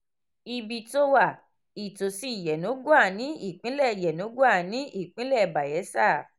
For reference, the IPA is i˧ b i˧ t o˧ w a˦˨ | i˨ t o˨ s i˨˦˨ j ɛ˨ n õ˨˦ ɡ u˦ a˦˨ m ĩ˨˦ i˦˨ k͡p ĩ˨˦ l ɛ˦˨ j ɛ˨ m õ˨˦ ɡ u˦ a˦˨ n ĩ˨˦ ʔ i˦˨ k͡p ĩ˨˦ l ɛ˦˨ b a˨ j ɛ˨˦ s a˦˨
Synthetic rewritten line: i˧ b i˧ t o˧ w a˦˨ | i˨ t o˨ s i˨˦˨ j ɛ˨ n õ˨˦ ɡ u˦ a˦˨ n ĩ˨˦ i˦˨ k͡p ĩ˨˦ l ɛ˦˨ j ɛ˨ n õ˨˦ ɡ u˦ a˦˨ n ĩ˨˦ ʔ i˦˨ k͡p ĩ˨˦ l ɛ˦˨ b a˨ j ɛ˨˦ s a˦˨